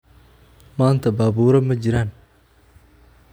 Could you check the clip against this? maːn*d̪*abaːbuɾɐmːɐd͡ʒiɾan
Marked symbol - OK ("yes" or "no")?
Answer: no